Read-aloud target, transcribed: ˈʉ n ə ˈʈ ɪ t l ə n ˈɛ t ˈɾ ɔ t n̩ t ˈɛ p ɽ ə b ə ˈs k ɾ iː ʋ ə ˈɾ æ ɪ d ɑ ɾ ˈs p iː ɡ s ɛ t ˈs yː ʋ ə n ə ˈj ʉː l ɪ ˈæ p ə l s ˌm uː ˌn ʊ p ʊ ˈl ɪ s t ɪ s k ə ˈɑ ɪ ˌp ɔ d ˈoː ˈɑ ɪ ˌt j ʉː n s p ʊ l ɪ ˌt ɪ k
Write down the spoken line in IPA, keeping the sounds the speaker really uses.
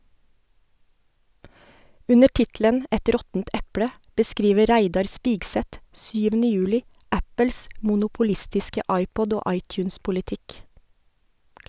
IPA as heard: ˈʉ n ə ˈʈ ɪ t l ə n ˈɛ t ˈɾ ɔ t n̩ t ˈɛ p ɽ ə b ə ˈs k ɾ iː ʋ ə ˈɾ æ ɪ d ɑ ɾ ˈs p iː ɡ s ɛ t ˈs yː ʋ ə n ə ˈj ʉː l ɪ ˈæ p ə l s ˌm uː ˌn ʊ p ʊ ˈl ɪ s t ɪ s k ə ˈɑ ɪ ˌp ɔ d ˈoː ˈɑ ɪ ˌt j ʉː n s p ʊ l ɪ ˌt ɪ k